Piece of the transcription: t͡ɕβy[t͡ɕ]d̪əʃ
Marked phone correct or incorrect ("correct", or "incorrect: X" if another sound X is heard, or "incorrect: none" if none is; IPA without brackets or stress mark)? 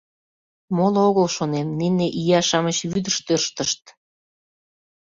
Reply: incorrect: none